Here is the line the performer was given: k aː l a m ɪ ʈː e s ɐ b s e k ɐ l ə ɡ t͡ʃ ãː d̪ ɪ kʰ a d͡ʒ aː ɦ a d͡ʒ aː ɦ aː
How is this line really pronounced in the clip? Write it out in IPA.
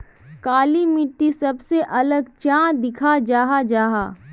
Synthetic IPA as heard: k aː l i m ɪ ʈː i s ɐ b s e ʔ ɐ l ə ɡ t͡ʃ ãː d̪ ɪ kʰ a d͡ʒ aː ɦ a d͡ʒ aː ɦ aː